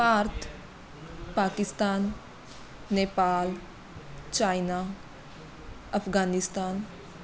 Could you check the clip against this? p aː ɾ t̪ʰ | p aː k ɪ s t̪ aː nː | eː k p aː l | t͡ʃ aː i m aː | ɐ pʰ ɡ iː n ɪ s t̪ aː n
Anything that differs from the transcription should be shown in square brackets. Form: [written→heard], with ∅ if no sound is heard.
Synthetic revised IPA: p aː ɾ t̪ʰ | p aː k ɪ s t̪ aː nː | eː [k→∅] p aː l | t͡ʃ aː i [m→n] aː | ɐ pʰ ɡ [iː→aː] n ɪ s t̪ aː n